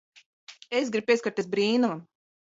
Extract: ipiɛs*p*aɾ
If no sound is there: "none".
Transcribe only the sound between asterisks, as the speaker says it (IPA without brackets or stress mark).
k